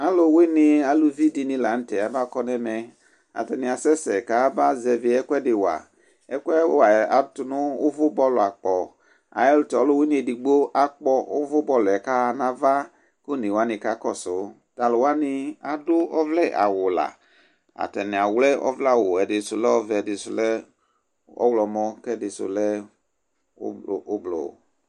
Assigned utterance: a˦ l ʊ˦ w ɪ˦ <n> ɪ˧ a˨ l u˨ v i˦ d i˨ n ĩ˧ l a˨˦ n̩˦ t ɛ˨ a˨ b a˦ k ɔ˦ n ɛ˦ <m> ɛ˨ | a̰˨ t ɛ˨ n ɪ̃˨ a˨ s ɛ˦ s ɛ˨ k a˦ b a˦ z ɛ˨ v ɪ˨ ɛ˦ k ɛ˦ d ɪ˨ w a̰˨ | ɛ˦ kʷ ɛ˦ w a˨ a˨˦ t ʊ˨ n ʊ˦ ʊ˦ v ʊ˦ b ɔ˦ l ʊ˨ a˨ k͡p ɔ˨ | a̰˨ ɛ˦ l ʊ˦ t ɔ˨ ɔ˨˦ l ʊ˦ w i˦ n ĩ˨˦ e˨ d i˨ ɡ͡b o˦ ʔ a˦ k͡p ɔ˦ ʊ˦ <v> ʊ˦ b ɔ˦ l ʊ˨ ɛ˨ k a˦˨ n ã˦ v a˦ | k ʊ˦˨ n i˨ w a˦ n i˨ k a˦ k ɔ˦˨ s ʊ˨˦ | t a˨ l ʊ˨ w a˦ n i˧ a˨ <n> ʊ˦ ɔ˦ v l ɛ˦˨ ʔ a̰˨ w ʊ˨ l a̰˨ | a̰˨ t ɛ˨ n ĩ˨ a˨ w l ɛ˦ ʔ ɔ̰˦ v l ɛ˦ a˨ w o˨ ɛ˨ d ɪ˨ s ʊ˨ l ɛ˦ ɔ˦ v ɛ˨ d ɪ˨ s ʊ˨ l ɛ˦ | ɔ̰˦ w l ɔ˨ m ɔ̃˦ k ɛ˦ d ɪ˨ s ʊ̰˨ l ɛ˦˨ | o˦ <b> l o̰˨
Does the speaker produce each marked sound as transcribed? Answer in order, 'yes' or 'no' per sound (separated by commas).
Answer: yes, yes, yes, no, yes